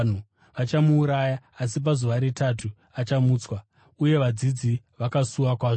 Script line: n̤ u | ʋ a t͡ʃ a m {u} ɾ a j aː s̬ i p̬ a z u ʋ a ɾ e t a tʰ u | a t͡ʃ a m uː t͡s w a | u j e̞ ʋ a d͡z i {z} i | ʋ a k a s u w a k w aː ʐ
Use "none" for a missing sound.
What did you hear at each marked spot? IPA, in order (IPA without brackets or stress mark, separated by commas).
uː, d͡z